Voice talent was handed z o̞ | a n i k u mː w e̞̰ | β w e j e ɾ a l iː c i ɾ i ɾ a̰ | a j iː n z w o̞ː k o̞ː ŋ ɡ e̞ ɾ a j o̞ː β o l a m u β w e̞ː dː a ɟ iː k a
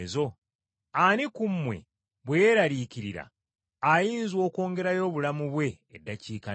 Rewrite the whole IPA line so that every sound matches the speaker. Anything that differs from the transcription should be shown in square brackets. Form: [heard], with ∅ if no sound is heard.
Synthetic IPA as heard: z o̞ | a n i k u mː w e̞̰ | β w e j e ɾ a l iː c i ɾ i ɾ a̰ | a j iː n z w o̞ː k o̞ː ŋ ɡ e̞ ɾ a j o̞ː β [u] l a m u β w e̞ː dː a [c] iː k a